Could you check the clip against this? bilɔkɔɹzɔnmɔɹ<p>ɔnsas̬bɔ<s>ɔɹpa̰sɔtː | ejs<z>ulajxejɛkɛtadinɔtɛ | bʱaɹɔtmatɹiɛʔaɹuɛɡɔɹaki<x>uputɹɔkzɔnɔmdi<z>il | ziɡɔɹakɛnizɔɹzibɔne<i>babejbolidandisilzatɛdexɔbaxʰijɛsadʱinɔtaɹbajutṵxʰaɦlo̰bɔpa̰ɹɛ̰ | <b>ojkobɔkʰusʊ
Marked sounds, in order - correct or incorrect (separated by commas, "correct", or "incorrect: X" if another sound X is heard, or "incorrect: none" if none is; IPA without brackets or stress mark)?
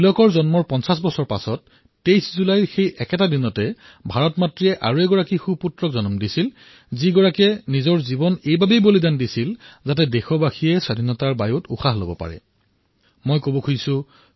correct, correct, correct, correct, incorrect: s, incorrect: j, incorrect: m